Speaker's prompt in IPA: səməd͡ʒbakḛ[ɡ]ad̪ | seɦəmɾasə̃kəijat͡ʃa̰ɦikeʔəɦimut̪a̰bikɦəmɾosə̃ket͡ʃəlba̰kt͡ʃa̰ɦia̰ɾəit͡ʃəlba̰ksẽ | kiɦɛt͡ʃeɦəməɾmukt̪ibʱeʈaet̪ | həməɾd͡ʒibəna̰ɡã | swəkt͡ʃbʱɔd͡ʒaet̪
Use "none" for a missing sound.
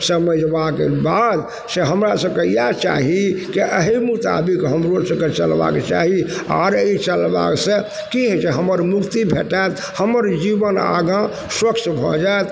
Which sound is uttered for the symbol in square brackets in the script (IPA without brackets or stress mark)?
b